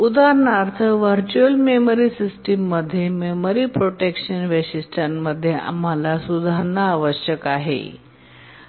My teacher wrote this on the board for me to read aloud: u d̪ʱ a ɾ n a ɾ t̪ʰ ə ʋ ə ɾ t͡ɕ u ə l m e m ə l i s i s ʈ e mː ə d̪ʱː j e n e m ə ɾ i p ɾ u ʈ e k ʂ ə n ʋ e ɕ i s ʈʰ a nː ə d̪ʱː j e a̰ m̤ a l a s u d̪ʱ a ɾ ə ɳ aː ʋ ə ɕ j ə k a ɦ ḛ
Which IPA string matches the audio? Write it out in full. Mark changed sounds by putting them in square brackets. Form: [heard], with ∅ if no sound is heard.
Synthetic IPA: u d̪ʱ a ɾ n a ɾ t̪ʰ ə ʋ ə ɾ t͡ɕ u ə l m e m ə [ɾ] i s i s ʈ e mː ə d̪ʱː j e [m] e m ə ɾ i p ɾ [o] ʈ e k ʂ ə n ʋ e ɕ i s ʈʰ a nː ə d̪ʱː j e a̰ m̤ a l a s u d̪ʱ a ɾ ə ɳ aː ʋ ə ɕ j ə k a ɦ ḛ